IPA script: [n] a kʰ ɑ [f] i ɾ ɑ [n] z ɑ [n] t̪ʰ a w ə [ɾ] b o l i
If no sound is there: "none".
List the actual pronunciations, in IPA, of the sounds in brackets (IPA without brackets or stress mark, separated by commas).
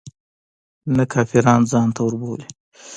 n, f, n, n, ɾ